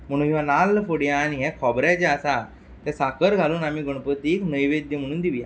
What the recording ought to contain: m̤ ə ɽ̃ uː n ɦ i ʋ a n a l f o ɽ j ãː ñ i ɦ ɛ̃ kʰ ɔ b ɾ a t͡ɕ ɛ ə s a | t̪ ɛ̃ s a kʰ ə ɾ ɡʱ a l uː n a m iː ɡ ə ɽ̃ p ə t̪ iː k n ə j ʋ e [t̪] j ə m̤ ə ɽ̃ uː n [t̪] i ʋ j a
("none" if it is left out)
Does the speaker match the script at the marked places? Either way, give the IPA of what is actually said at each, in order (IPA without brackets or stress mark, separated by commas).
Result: d̪, d̪